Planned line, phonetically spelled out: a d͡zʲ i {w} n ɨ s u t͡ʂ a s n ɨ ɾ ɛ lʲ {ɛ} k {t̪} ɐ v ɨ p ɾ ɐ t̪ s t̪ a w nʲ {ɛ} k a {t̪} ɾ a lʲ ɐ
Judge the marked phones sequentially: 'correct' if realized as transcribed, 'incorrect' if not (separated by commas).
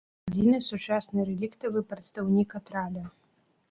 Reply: incorrect, incorrect, correct, incorrect, correct